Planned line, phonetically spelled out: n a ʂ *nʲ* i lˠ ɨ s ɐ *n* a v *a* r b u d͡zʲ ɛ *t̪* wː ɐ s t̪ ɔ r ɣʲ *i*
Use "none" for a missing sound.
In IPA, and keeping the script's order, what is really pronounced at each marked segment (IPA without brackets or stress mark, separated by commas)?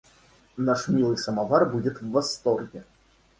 mʲ, m, a, t̪, ɛ